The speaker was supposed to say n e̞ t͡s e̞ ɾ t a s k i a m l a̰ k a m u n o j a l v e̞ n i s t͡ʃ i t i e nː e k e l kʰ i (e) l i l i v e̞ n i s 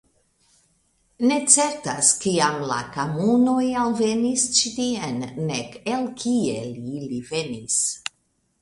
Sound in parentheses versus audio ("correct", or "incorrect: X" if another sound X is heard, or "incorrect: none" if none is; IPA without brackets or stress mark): correct